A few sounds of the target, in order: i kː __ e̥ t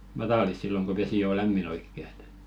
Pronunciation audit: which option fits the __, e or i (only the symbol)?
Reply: e